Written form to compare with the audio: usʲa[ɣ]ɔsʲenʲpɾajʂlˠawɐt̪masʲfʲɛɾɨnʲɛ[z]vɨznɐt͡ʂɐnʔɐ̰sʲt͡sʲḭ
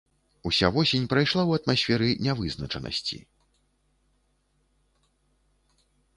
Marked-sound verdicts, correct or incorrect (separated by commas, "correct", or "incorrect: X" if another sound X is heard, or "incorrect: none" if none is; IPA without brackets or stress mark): incorrect: v, incorrect: none